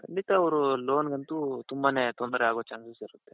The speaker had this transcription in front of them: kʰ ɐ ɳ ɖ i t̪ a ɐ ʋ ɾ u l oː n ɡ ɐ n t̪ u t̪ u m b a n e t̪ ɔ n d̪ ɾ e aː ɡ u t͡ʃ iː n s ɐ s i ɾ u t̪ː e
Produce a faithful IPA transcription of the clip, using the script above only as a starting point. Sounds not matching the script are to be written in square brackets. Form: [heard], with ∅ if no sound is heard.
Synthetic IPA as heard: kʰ ɐ ɳ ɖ i t̪ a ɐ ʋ ɾ u l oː n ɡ ɐ n t̪ u t̪ u m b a n e t̪ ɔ n d̪ ɾ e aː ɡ [o] t͡ʃ [aː] n s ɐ s i ɾ u t̪ː e